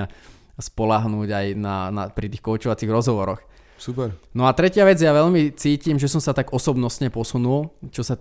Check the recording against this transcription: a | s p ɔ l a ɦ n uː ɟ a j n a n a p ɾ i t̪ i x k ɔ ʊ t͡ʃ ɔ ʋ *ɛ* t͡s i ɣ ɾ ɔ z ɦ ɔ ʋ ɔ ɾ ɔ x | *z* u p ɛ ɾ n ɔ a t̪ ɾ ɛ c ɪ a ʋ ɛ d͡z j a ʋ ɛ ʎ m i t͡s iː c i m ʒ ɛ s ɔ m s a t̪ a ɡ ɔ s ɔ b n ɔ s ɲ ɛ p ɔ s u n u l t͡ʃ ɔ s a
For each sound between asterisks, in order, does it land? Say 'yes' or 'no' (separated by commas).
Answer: no, no